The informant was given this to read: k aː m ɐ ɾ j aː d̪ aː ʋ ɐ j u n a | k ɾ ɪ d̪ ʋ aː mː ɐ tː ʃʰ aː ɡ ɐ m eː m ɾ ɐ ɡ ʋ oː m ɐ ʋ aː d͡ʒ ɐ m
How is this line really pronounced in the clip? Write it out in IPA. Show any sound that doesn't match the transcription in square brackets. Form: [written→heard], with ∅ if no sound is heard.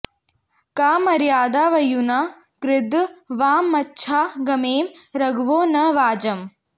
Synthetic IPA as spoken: k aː m ɐ ɾ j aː d̪ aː ʋ ɐ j u n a | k ɾ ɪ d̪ ʋ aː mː ɐ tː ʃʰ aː ɡ ɐ m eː m ɾ ɐ ɡ ʋ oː [m→n] ɐ ʋ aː d͡ʒ ɐ m

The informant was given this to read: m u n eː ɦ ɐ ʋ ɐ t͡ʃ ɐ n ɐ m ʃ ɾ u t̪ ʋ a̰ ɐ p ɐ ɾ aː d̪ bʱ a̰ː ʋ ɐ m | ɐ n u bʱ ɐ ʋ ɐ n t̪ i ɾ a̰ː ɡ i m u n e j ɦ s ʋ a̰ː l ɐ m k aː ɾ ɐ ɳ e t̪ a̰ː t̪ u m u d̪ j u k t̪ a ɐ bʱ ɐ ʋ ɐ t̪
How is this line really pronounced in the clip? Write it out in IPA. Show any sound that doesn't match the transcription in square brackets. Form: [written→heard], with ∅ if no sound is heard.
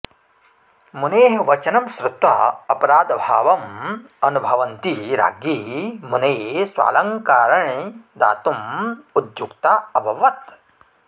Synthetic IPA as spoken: m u n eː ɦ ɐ ʋ ɐ t͡ʃ ɐ n ɐ m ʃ ɾ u t̪ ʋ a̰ ɐ p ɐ ɾ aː d̪ bʱ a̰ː ʋ ɐ m | ɐ n u bʱ ɐ ʋ ɐ n t̪ i ɾ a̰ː ɡ i m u n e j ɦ s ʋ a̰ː l ɐ [m→ŋ] k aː ɾ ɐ ɳ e [t̪→d̪] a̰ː t̪ u m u d̪ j u k t̪ a ɐ bʱ ɐ ʋ ɐ t̪

